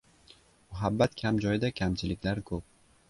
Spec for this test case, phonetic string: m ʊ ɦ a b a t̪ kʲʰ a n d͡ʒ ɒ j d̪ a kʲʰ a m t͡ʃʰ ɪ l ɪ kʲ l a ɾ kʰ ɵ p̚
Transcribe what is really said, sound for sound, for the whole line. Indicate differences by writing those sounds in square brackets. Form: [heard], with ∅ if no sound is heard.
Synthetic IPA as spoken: m ʊ ɦ a [bː] a t̪ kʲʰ a [m] d͡ʒ ɒ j d̪ a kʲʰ a m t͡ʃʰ ɪ l ɪ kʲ l a ɾ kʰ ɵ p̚